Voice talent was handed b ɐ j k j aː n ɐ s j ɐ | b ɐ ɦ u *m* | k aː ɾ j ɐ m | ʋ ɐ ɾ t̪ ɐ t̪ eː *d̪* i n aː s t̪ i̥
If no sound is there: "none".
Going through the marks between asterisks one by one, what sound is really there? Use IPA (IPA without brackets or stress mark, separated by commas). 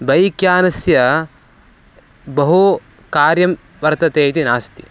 none, t̪